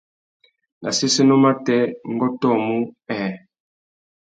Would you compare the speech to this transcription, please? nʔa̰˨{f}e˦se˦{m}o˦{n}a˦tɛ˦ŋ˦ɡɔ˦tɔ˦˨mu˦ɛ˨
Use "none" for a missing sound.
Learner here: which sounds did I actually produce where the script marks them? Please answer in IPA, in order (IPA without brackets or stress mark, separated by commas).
s, n, m